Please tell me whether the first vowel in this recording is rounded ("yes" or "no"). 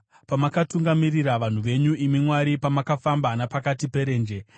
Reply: no